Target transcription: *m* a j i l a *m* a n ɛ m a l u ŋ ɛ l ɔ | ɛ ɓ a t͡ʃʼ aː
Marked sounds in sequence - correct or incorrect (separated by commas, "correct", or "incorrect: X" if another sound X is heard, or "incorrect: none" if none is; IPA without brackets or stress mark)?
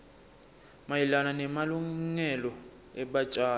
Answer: correct, incorrect: n